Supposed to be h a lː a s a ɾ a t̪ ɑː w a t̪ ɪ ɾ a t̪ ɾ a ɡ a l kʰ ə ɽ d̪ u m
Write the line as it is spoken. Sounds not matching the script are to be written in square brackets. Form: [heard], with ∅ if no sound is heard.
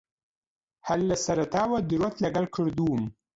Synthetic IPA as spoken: h a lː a s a ɾ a t̪ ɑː w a [d̪] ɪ ɾ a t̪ [l] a ɡ a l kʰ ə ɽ d̪ u m